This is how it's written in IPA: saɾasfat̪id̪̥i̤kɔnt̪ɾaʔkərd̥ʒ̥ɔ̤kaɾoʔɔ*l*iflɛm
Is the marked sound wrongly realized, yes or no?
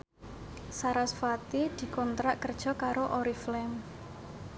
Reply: yes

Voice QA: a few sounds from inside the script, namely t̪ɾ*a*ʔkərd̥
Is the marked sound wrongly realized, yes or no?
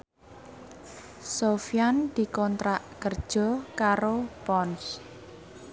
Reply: no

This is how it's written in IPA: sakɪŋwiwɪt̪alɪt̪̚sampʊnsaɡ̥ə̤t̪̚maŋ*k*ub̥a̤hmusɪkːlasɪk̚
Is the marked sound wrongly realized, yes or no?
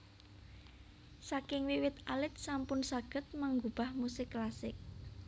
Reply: yes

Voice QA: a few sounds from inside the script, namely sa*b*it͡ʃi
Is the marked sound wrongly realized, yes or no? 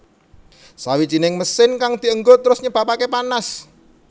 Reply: yes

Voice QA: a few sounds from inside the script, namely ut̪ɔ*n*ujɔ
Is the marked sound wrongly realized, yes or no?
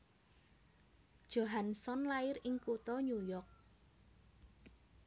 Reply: yes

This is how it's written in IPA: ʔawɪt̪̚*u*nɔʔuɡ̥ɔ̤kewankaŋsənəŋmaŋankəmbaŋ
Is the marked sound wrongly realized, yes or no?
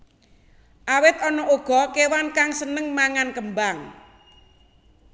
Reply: yes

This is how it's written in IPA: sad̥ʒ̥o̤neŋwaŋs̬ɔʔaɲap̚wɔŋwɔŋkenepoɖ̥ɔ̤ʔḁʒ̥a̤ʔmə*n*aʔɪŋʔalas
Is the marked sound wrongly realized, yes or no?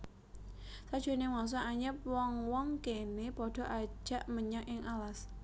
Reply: yes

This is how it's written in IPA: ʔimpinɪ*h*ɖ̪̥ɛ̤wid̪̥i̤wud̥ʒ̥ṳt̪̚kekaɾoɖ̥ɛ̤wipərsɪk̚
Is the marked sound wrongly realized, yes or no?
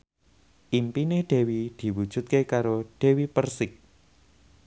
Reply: no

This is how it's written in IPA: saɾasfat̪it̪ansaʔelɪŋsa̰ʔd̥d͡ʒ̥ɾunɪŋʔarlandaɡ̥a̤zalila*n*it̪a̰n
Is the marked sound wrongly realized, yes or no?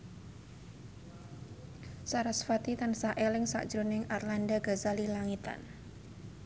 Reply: yes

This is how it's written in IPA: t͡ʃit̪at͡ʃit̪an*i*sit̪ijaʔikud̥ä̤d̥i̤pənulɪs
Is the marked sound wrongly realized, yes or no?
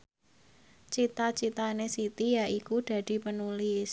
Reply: yes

